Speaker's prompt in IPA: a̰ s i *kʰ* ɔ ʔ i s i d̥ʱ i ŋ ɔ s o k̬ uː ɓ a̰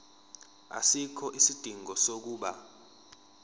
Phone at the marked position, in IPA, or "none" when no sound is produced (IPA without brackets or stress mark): kʰ